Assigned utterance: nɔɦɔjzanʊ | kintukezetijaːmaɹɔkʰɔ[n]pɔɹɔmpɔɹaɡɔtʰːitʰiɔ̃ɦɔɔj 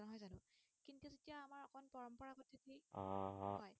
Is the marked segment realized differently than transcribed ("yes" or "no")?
no